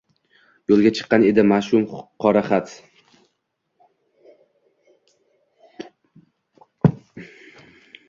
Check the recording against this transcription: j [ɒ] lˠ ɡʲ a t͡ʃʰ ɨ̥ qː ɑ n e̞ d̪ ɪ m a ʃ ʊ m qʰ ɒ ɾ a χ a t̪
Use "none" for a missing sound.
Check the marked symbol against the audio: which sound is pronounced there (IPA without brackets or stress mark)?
o